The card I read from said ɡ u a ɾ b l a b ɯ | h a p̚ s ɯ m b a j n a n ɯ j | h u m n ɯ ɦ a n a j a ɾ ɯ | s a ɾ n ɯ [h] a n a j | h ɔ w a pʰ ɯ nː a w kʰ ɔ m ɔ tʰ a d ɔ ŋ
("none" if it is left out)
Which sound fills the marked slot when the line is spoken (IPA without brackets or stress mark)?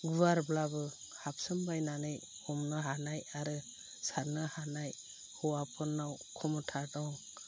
h